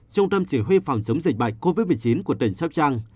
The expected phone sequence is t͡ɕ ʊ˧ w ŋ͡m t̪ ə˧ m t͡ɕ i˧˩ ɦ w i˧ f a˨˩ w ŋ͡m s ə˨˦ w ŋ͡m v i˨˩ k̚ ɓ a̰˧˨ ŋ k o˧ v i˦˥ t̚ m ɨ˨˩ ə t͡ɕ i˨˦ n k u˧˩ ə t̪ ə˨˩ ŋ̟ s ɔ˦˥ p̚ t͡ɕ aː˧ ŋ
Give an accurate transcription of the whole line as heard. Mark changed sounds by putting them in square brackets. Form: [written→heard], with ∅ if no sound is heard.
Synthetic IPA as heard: t͡ɕ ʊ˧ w ŋ͡m t̪ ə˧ m t͡ɕ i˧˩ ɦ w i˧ f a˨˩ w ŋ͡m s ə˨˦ w ŋ͡m [v→z] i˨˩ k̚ ɓ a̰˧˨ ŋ k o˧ v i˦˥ t̚ m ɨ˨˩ ə t͡ɕ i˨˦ n k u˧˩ ə t̪ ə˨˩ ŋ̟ s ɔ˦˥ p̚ t͡ɕ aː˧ ŋ